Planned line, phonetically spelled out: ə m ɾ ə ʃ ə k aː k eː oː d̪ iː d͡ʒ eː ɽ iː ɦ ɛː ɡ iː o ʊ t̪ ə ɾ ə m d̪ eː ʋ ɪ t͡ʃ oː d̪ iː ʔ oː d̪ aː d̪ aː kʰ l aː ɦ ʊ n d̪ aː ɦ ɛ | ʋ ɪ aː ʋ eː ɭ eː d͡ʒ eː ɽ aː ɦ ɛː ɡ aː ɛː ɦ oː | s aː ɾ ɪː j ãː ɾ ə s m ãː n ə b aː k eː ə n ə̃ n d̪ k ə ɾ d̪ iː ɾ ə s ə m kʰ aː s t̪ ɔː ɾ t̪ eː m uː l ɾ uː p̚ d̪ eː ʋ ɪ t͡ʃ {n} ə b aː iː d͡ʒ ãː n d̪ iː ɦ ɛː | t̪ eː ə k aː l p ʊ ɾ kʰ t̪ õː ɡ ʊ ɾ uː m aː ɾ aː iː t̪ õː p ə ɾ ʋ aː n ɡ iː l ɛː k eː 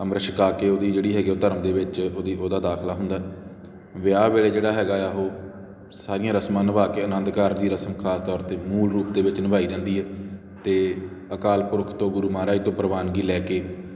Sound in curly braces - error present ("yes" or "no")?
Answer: no